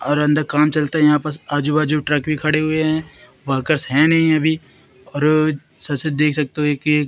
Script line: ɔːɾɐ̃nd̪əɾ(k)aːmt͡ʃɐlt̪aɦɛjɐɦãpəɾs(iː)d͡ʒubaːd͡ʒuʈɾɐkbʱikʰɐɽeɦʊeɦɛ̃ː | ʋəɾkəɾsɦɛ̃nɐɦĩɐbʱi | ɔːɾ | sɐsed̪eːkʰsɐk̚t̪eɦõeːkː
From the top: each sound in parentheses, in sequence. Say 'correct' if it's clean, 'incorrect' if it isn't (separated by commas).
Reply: correct, incorrect